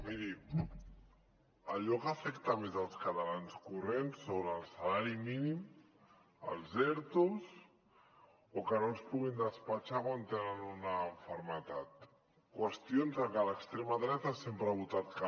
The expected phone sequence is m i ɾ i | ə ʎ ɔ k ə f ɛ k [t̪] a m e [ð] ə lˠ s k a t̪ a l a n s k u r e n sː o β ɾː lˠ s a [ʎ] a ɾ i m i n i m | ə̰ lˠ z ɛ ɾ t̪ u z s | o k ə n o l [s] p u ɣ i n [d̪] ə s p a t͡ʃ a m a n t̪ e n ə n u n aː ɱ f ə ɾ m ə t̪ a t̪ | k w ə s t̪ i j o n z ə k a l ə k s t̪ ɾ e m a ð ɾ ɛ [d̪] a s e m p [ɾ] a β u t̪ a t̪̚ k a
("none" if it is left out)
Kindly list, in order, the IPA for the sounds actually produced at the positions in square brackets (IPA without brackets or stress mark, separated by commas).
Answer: t̪, z, l, s, d̪, t̪, ɾ